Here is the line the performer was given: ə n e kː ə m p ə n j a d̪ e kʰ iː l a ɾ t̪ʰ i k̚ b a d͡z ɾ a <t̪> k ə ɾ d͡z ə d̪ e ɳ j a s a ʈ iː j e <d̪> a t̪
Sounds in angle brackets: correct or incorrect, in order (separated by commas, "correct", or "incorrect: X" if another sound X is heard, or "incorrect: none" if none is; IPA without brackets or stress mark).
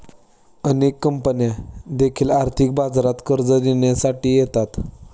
correct, incorrect: t̪